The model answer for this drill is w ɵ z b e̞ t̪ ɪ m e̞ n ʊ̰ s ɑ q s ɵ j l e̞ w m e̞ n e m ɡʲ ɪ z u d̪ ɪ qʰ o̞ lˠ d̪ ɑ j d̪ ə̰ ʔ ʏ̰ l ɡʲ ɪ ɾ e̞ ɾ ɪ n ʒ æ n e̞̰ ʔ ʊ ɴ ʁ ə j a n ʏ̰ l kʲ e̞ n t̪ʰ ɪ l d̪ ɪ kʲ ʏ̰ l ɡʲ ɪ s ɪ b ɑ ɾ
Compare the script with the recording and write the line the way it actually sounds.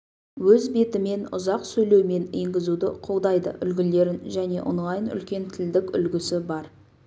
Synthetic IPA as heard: w ɵ z b e̞ t̪ ɪ m e̞ n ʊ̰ z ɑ q s ɵ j l e̞ w m e̞ n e ŋ ɡʲ ɪ z u d̪ ɪ qʰ o̞ lˠ d̪ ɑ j d̪ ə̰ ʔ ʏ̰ l ɡʲ ɪ l e̞ ɾ ɪ n ʒ æ n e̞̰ ʔ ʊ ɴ ʁ ɑ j ə n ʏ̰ l kʲ e̞ n t̪ʰ ɪ l d̪ ɪ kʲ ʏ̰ l ɡʲ ɪ s ɪ b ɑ ɾ